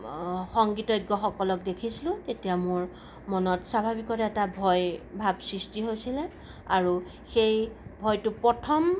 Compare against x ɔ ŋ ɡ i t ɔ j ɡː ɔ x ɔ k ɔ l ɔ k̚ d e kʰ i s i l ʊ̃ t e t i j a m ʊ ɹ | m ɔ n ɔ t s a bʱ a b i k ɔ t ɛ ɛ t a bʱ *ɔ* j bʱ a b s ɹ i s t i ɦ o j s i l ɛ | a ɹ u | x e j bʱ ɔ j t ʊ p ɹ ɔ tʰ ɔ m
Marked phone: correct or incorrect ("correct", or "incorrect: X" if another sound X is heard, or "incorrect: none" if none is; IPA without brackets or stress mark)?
correct